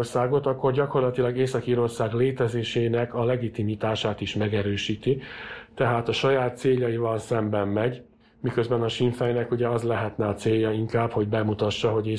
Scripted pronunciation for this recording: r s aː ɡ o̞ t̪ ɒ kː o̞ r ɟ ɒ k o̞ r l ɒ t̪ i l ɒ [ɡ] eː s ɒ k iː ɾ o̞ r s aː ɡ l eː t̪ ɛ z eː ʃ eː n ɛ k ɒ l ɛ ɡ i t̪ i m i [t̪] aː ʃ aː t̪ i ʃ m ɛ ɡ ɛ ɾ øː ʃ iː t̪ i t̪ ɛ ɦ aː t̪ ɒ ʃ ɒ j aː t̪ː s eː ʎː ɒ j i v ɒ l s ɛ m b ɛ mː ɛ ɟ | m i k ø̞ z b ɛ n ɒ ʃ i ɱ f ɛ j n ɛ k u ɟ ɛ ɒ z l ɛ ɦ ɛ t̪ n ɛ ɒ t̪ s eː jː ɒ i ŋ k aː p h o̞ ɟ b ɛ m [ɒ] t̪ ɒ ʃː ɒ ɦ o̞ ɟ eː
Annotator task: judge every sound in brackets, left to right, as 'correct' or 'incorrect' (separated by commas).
correct, correct, incorrect